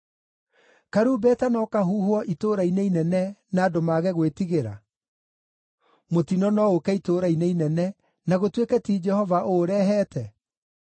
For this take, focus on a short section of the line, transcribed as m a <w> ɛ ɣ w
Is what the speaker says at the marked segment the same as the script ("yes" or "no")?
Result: no